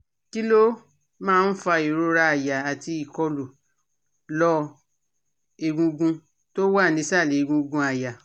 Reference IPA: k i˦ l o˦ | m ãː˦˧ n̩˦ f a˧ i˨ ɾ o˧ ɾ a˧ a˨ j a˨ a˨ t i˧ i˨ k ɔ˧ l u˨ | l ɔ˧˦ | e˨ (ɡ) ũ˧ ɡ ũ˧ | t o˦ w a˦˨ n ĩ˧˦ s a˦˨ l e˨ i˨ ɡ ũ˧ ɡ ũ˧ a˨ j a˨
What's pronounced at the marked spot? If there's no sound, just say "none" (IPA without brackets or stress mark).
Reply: ɡ